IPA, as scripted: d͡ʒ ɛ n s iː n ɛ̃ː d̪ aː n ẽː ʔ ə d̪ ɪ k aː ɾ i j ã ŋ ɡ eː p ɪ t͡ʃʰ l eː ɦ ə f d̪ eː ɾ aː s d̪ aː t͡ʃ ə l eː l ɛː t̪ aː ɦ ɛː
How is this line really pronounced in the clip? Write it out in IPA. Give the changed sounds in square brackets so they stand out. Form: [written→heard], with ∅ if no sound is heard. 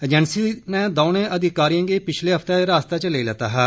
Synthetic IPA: d͡ʒ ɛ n s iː n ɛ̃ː d̪ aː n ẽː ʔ ə d̪ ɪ k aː ɾ i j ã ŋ ɡ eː p ɪ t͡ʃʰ l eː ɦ ə f [d̪→t̪] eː ɾ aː s [d̪→t̪] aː t͡ʃ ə l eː l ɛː t̪ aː ɦ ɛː